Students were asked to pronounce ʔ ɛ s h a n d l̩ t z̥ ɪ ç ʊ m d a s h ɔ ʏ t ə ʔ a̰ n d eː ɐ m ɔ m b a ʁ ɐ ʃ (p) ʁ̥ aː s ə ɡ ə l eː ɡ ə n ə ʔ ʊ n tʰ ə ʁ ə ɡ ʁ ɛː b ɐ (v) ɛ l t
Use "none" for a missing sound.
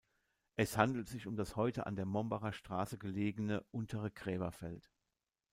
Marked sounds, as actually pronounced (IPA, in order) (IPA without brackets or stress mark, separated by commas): t, f